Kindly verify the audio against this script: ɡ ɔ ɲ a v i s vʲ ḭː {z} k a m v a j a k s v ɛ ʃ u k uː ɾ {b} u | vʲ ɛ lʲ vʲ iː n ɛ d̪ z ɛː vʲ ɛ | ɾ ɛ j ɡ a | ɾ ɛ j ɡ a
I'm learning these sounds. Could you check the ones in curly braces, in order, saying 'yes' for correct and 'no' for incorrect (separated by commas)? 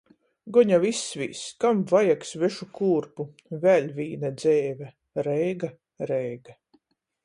no, no